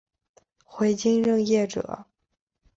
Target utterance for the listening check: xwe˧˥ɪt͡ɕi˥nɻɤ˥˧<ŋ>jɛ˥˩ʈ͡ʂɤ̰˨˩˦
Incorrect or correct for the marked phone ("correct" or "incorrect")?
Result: correct